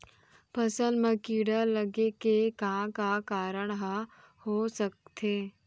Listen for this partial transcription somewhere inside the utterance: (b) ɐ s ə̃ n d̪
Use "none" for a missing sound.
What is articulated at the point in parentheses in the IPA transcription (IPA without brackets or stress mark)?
p